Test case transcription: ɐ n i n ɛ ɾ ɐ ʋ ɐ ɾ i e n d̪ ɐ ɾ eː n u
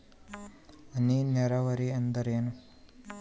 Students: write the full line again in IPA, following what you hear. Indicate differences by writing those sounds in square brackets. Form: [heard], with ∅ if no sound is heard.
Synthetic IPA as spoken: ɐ n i n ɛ ɾ ɐ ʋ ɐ ɾ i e n d̪ ɐ ɾ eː n u

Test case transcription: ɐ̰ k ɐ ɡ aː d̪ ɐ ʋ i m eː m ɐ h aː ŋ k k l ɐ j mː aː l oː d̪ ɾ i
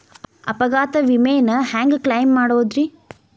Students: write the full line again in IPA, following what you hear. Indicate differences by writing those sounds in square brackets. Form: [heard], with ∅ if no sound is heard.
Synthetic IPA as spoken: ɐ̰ [p] ɐ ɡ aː [t̪] ɐ ʋ i m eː [n] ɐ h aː ŋ [ɡ] k l ɐ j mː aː [ɽ] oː d̪ ɾ i

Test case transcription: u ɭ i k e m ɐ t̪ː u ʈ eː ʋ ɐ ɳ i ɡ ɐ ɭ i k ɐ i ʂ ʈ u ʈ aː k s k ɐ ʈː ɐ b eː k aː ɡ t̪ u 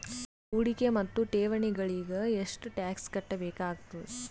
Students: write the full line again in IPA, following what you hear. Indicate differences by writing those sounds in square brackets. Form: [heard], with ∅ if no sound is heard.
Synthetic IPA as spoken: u [ɽ] i k e m ɐ t̪ː u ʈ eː ʋ ɐ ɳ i ɡ ɐ ɭ i [ɡ] ɐ [e] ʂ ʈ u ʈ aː k s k ɐ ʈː ɐ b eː k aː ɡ t̪ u

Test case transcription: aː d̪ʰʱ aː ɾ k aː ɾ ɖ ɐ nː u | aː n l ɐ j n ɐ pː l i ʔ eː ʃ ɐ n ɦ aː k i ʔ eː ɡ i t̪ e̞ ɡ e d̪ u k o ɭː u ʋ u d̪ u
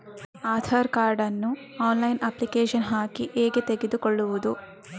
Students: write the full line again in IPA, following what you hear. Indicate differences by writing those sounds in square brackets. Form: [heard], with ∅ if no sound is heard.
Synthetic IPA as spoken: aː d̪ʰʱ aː ɾ k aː ɾ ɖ ɐ nː u | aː n l ɐ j n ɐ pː l i [k] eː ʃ ɐ n ɦ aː k i ʔ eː ɡ [e] t̪ e̞ ɡ e d̪ u k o ɭː u ʋ u d̪ u

